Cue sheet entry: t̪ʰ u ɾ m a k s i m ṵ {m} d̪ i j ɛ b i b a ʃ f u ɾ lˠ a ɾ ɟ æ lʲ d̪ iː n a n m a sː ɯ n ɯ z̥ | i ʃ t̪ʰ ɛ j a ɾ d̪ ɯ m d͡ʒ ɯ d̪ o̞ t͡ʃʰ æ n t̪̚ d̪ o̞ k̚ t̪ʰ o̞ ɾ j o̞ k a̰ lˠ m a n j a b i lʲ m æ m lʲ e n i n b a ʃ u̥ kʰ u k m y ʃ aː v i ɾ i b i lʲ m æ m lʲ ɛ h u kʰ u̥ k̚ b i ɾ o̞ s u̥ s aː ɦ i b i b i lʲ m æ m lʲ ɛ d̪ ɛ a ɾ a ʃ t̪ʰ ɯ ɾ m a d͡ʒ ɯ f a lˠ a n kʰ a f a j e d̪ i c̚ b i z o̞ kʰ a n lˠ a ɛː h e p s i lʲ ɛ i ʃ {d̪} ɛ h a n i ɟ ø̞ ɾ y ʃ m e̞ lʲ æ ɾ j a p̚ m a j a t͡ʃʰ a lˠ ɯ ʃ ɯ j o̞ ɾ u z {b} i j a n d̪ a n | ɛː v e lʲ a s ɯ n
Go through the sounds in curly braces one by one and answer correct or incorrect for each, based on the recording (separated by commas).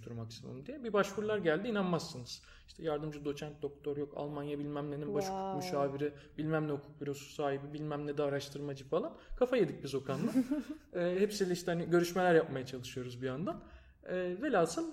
correct, incorrect, correct